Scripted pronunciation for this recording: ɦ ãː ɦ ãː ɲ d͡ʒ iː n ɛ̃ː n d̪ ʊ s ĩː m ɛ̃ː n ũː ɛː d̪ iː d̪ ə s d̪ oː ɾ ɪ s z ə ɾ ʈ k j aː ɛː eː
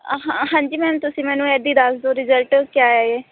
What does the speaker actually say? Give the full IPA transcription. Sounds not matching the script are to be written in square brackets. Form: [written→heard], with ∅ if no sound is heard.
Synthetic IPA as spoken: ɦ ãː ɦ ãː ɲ d͡ʒ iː [n→m] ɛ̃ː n [d̪→t̪] ʊ s ĩː m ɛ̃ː n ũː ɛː d̪ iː d̪ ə s d̪ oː ɾ ɪ [s→∅] z ə [ɾ→l] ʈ k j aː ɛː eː